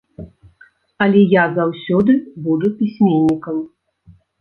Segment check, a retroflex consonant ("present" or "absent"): absent